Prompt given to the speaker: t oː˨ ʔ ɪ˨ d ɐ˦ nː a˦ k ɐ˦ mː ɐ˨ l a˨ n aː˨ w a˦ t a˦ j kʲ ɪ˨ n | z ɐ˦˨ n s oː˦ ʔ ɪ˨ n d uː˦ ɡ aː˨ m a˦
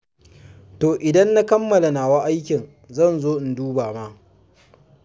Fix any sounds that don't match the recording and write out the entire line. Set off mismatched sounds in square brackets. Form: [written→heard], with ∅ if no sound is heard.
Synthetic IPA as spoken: t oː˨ ʔ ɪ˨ d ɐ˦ nː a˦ k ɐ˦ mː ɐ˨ l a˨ n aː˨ w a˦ [t→ʔ] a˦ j kʲ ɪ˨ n | z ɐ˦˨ n [s→z] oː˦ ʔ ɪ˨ n d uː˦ [ɡ→b] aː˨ m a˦

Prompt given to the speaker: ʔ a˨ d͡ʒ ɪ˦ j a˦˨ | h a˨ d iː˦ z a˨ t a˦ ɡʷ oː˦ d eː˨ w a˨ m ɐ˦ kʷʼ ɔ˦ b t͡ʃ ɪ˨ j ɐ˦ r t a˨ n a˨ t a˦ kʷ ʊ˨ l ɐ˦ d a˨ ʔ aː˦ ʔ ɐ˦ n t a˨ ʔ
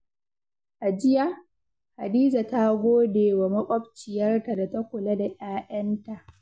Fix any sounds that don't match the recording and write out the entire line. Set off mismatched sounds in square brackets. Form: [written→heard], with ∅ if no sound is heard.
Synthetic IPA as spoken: ʔ a˨ d͡ʒ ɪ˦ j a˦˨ | h a˨ d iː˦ z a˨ t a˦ ɡʷ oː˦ d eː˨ w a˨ m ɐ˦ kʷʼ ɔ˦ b t͡ʃ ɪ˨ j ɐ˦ r t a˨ [n→d] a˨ t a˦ kʷ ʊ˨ l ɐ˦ d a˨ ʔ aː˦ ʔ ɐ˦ n t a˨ ʔ

